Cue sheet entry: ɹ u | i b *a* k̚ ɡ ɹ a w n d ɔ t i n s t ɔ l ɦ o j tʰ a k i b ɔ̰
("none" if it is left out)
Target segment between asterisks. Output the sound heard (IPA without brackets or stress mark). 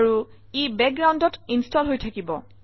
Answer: ɛ